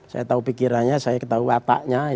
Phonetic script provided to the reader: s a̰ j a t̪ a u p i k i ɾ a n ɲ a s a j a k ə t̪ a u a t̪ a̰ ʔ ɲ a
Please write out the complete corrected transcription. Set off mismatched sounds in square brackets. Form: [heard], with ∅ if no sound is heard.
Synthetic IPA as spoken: s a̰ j a t̪ a u p i k i ɾ a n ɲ a s a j a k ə t̪ a u a t̪ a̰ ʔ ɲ a

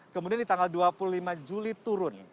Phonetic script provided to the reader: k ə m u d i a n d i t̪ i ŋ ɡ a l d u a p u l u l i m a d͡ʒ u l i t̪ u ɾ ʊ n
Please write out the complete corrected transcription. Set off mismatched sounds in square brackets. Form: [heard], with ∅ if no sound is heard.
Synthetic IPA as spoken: k ə m u d i a n d i t̪ [a] ŋ ɡ a l d u a p u l u l i m a d͡ʒ u l i t̪ u ɾ ʊ n

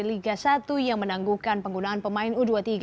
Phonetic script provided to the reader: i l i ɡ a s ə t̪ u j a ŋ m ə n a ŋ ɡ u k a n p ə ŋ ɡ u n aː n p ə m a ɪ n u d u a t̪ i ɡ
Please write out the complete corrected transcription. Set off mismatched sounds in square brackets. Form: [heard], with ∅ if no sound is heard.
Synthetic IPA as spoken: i l i ɡ a s [a] t̪ u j a ŋ m ə n a ŋ ɡ u k a n p ə ŋ ɡ u n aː n p ə m a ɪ n u d u a t̪ i ɡ

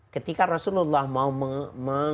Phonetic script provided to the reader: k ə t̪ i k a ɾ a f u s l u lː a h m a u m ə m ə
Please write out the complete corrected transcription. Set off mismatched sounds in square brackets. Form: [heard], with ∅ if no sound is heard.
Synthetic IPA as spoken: k ə t̪ i k a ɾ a [s] u [∅] l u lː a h m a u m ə m ə

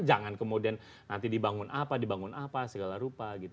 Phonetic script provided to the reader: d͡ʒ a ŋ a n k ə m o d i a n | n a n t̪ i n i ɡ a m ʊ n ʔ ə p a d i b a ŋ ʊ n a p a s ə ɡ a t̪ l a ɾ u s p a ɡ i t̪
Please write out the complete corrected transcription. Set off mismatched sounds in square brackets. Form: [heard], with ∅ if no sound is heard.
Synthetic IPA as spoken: d͡ʒ a ŋ a n k ə m o d i a n | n a n t̪ i [d] i [b] a [ŋ] ʊ n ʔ [a] p a d i b a ŋ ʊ n a p a s ə ɡ a [∅] l a ɾ u [∅] p a ɡ i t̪

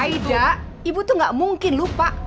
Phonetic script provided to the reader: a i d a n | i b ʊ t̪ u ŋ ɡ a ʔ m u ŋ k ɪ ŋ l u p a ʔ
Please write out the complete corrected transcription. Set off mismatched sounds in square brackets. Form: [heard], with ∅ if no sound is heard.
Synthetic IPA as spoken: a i d a [∅] | i b [u] t̪ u ŋ ɡ a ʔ m u ŋ k ɪ [n] l u p a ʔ

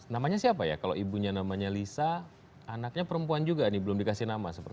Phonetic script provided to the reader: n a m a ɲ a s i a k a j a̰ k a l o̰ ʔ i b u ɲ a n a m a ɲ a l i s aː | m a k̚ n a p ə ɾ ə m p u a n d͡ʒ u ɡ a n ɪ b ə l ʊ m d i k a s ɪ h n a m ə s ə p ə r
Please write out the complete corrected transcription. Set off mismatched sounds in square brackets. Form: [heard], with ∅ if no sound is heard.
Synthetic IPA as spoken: n a m a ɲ a s i a [p] a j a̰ k a l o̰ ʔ i b u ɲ a n a m a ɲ a l i s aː | [n] a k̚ [ɲ] a p ə ɾ ə m p u a n d͡ʒ u ɡ a n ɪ b ə l ʊ m d i k a s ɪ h n a m [a] s ə p ə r

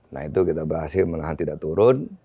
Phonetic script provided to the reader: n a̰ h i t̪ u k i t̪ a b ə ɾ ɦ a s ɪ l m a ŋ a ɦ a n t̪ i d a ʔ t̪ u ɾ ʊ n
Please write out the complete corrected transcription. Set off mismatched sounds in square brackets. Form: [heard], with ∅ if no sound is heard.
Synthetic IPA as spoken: n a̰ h i t̪ u k i t̪ a b ə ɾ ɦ a s ɪ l m [ə] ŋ a ɦ a n t̪ i d a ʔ t̪ u ɾ ʊ n

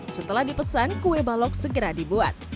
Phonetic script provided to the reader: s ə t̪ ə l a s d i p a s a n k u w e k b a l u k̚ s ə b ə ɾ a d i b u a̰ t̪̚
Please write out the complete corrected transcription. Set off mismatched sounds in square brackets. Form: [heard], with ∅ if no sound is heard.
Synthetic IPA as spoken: s ə t̪ ə l a [h] d i p [ə] s a n k u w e [∅] b a l [ɔ] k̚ s ə [ɡ] ə ɾ a d i b u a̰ t̪̚

